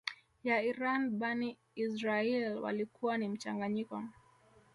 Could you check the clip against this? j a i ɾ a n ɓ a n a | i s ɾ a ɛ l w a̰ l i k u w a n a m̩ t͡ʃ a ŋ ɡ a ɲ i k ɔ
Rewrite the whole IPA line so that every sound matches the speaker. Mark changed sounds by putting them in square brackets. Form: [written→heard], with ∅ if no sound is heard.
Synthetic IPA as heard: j a i ɾ a n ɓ a n [a→i] | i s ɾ a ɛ l w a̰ l i k u w a n [a→i] m̩ t͡ʃ a ŋ ɡ a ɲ i k ɔ